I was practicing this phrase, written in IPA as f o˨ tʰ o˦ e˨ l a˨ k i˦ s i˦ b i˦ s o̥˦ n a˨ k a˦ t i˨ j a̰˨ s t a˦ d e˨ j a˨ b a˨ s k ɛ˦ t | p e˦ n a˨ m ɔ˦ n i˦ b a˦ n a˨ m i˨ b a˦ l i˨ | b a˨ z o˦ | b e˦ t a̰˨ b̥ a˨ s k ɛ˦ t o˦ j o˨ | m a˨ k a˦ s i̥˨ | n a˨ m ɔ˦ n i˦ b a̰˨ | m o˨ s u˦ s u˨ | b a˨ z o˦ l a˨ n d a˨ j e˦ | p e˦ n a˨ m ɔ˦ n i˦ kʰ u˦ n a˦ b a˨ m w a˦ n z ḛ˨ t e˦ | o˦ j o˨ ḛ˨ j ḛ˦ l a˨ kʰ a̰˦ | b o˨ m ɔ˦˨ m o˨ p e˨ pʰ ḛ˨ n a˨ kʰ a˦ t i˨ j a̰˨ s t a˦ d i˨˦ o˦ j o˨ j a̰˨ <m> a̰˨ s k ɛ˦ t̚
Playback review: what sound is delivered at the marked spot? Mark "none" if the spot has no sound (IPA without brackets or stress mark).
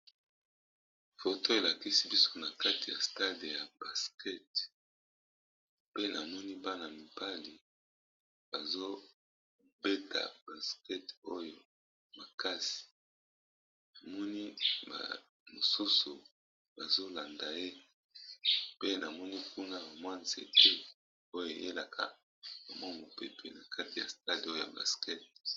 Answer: b